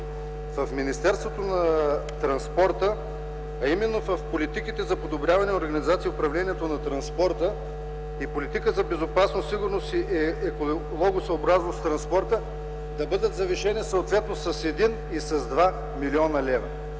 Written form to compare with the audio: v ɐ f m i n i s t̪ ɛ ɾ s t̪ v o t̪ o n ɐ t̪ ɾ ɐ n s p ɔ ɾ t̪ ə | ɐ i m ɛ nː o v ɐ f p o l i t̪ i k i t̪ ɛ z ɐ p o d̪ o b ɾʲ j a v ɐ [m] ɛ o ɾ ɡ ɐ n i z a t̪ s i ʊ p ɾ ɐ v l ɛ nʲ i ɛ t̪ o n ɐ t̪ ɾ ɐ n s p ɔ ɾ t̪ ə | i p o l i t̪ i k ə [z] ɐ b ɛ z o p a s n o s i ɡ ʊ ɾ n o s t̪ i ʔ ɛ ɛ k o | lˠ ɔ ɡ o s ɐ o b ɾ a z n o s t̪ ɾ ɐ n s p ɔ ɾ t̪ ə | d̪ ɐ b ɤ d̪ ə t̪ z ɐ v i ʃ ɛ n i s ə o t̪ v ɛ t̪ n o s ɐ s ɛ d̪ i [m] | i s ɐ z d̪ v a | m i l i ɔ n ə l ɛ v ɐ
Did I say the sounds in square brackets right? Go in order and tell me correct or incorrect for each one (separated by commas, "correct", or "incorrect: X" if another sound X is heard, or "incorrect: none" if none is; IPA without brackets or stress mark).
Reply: incorrect: n, correct, incorrect: n